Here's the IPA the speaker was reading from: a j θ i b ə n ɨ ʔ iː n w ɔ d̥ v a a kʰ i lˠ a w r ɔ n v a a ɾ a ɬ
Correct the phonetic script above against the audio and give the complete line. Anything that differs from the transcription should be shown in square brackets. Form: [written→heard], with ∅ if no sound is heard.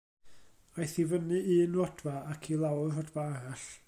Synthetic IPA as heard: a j θ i [b→v] ə n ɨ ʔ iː n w ɔ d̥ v a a kʰ i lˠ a w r ɔ [n→d] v a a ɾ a ɬ

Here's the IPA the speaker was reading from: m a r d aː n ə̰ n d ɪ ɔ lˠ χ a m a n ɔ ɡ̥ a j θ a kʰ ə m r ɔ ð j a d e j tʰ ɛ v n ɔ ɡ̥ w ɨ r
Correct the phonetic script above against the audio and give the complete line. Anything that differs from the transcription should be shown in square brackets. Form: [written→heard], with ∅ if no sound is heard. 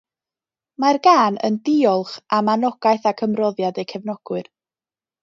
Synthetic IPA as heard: m a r [d→ɡ] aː n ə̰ n d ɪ ɔ lˠ χ a m a n ɔ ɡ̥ a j θ a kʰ ə m r ɔ ð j a d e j [tʰ→kʰ] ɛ v n ɔ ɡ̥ w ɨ r

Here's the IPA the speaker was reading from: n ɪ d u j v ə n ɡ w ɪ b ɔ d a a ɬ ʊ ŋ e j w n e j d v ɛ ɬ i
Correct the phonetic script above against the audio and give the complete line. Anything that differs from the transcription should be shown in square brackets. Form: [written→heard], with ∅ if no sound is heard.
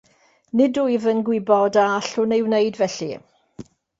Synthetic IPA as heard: n ɪ d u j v ə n ɡ w ɪ b ɔ d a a ɬ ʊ [ŋ→n] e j w n e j d v ɛ ɬ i

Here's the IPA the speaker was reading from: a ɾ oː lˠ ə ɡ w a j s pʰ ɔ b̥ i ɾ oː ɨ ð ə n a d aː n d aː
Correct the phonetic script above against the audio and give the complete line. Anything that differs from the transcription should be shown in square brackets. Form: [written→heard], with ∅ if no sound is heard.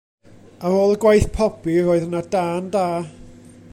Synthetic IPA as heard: a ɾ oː lˠ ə ɡ w a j [s→θ] pʰ ɔ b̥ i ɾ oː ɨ ð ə n a d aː n d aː

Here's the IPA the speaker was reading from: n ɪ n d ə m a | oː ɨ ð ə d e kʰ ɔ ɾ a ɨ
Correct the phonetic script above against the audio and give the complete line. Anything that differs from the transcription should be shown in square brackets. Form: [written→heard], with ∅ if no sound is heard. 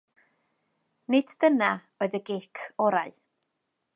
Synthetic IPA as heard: n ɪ [n→d] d ə [m→n] a | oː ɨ ð ə [d→ɡ] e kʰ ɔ ɾ a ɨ

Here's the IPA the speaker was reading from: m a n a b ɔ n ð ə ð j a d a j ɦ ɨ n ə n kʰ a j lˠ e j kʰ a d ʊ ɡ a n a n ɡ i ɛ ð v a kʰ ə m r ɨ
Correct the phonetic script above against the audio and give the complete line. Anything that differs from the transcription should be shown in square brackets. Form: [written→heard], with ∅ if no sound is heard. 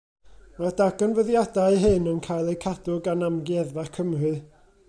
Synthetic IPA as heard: m a [n→d] a [b→ɡ] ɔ n [ð→v] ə ð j a d a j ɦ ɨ n ə n kʰ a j lˠ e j kʰ a d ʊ ɡ a n a [n→m] ɡ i ɛ ð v a kʰ ə m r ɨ

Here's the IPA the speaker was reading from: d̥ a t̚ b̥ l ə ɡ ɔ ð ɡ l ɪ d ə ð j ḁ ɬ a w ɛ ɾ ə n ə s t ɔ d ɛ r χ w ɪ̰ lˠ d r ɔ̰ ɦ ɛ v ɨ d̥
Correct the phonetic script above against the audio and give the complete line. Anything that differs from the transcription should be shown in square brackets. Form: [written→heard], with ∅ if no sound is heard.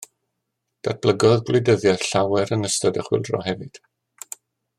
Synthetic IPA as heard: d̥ a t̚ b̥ l ə ɡ ɔ ð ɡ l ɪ d ə ð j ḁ ɬ a w ɛ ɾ ə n ə s t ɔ d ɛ [r→∅] χ w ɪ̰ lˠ d r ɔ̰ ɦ ɛ v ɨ d̥

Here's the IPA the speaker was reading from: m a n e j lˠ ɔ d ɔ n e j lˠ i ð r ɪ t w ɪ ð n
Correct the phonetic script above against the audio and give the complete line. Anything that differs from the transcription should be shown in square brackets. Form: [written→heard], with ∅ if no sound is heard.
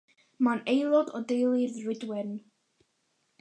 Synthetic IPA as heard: m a n e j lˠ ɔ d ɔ [n→d] e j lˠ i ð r ɪ [t→d] w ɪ [ð→∅] n

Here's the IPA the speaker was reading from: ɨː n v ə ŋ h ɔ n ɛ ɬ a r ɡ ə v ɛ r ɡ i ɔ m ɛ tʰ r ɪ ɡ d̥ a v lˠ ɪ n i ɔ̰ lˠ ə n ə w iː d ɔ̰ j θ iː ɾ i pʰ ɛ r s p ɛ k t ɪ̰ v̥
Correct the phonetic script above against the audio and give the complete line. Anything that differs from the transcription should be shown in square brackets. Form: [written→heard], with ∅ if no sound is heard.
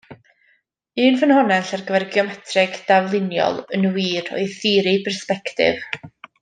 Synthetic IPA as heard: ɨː n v ə [ŋ→n] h ɔ n ɛ ɬ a r ɡ ə v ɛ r ɡ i ɔ m ɛ tʰ r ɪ ɡ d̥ a v lˠ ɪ n [i→j] ɔ̰ lˠ ə n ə w iː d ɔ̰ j θ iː ɾ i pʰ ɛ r s p ɛ k t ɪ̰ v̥

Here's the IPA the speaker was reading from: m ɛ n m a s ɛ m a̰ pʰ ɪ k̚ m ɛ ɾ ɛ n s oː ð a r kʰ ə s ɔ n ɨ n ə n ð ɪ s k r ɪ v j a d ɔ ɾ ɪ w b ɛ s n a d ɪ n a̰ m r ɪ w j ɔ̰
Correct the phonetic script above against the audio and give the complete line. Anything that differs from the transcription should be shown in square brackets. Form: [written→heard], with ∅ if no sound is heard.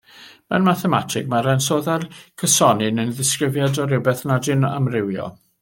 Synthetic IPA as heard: m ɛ n m a [s→θ] ɛ m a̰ [pʰ→tʰ] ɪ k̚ m [ɛ→a] ɾ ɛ n s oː ð a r kʰ ə s ɔ n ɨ n ə n ð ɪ s k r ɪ v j a d ɔ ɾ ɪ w b ɛ [s→θ] n a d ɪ n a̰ m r ɪ w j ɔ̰

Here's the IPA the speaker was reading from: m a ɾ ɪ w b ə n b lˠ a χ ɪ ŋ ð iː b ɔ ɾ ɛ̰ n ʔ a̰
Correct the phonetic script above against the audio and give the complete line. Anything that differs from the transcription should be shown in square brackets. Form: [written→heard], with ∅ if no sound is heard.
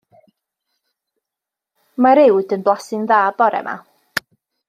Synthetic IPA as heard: m a ɾ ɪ w [b→d] ə n b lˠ a [χ→s] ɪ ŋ ð [iː→aː] b ɔ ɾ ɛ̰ [n→m] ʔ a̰

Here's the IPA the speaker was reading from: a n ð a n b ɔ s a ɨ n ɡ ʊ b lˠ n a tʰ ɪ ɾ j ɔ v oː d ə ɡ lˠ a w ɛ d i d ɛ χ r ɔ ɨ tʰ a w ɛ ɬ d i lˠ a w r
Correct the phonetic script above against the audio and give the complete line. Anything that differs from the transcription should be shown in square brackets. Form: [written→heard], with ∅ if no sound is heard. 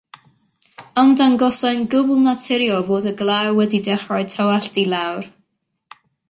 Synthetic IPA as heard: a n ð a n [b→ɡ] ɔ s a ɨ n ɡ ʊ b lˠ n a tʰ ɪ ɾ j ɔ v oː d ə ɡ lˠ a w ɛ d i d ɛ χ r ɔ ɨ tʰ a w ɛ ɬ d i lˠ a w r

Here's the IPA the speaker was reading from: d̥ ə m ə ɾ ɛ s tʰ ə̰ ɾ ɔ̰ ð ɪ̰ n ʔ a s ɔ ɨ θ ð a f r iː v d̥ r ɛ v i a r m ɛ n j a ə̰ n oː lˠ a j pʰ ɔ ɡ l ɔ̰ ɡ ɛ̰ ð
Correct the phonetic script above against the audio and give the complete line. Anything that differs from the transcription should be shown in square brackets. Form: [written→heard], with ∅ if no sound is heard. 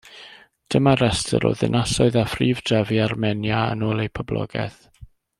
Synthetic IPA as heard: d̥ ə m [ə→a] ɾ ɛ s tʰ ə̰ ɾ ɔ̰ ð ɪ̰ n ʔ a s ɔ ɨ [θ→∅] ð a f r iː v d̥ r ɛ v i a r m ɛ n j a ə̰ n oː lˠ [a→e] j pʰ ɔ [ɡ→b] l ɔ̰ ɡ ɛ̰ [ð→θ]

